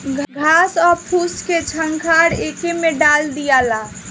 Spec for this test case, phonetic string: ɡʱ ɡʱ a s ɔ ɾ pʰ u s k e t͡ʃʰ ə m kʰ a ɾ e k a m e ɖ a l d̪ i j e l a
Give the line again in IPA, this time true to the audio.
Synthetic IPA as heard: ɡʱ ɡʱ a s ɔ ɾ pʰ u s k e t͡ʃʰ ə ŋ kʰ a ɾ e k e m e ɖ a l d̪ i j a l a